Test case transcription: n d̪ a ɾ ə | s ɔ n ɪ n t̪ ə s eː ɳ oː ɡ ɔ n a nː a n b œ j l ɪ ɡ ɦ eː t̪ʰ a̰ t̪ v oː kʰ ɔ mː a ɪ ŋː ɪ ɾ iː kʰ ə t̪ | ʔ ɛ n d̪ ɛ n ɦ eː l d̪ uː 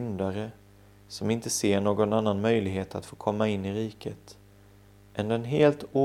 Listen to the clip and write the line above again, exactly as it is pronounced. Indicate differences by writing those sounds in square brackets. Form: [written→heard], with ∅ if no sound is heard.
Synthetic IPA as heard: n d̪ a ɾ ə | s ɔ [n→m] ɪ n t̪ ə s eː ɳ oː ɡ ɔ n a nː a n [b→m] œ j l ɪ ɡ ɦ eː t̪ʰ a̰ t̪ [v→f] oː kʰ ɔ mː a ɪ [ŋː→nː] ɪ ɾ iː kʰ ə t̪ | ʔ ɛ n d̪ ɛ n ɦ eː l [d̪→t̪] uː